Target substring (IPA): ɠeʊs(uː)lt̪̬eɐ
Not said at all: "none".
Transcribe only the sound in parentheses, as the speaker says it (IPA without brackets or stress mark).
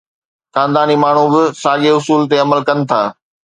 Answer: uː